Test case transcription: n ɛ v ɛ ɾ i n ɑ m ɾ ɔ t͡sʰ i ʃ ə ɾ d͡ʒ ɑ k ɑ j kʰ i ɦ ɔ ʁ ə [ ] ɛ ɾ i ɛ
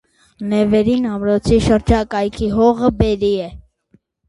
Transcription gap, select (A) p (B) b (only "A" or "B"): B